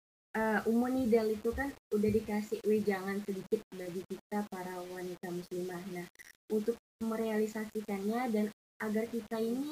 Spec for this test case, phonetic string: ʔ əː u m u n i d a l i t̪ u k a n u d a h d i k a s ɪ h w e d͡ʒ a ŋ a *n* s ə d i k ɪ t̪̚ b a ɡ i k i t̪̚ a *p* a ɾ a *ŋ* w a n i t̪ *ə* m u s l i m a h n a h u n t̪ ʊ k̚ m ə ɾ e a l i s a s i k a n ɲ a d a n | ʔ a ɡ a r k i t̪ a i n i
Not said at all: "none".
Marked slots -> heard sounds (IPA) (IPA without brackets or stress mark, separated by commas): n, p, none, a